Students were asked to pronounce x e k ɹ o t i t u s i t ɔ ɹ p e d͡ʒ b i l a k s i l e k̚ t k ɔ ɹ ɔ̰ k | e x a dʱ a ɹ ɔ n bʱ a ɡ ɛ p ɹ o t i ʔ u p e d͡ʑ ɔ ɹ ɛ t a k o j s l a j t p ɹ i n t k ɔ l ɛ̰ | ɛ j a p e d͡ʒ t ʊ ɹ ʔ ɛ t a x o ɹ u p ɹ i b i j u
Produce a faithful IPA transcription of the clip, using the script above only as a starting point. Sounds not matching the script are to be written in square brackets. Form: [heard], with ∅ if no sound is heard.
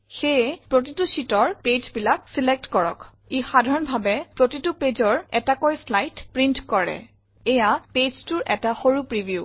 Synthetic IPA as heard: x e [p] ɹ o t i t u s i t ɔ ɹ p e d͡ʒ b i l a k s i l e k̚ t k ɔ ɹ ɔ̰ k | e x a dʱ a ɹ ɔ n bʱ a [b] ɛ p ɹ o t i [t] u p e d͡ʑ ɔ ɹ ɛ t a k o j s l a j t p ɹ i n t k ɔ [ɹ] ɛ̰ | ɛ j a p e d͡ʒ t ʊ ɹ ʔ ɛ t a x o ɹ u p ɹ i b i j u